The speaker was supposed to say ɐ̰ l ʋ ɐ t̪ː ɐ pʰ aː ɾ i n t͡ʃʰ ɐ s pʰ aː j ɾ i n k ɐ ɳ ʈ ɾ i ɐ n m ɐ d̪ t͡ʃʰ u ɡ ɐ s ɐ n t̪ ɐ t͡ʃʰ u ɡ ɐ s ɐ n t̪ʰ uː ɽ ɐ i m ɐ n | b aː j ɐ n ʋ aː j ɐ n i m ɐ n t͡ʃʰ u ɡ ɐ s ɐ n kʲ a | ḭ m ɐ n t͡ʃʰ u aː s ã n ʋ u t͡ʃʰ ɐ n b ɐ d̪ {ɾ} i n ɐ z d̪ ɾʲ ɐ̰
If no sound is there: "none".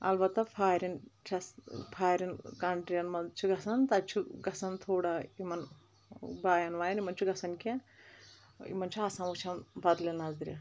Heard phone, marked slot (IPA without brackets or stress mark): l